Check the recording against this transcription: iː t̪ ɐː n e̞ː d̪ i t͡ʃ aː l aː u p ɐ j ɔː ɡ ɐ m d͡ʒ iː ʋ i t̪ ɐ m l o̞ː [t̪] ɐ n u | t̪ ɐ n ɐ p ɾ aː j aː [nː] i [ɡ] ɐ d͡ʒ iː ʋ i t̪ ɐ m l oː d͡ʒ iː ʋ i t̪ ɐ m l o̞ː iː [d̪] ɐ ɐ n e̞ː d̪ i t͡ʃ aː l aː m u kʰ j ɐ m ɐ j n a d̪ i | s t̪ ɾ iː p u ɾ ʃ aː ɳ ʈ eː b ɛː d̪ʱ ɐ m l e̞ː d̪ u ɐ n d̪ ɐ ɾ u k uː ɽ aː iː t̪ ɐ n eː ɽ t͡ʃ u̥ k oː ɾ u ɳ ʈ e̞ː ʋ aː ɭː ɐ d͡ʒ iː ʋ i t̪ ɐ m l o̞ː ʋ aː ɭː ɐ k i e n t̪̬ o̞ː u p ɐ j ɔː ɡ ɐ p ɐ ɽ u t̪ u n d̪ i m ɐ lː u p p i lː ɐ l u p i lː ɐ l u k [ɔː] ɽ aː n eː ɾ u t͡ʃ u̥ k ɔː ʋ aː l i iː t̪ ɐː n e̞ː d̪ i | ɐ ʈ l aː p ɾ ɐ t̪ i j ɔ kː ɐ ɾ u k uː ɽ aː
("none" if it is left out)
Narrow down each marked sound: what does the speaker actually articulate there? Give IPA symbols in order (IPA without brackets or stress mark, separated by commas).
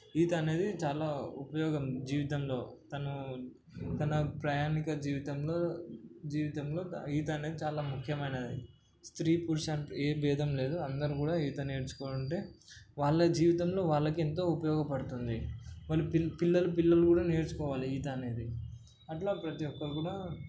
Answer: t̪, n, k, t̪, uː